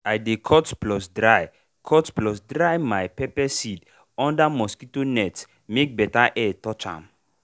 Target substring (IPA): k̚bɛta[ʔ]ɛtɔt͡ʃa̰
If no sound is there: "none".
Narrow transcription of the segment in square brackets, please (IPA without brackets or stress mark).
ʔ